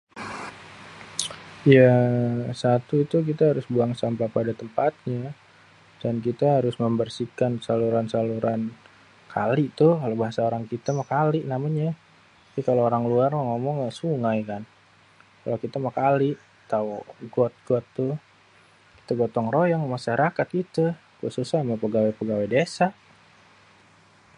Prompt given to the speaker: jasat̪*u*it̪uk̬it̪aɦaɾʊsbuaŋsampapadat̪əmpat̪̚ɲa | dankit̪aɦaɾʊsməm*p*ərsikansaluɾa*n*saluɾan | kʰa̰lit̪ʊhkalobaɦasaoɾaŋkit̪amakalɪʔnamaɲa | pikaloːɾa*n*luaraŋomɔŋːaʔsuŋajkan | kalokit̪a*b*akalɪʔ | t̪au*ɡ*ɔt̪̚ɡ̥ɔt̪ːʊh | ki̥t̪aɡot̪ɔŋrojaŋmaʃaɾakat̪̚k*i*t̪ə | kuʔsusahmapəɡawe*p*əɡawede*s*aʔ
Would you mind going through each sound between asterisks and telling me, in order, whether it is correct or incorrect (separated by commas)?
correct, incorrect, correct, incorrect, incorrect, correct, correct, correct, correct